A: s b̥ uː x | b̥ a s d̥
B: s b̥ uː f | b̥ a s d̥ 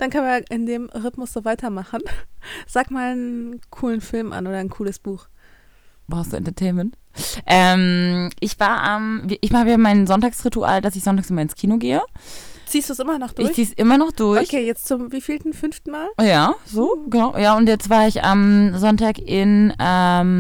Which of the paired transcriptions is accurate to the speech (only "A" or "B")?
A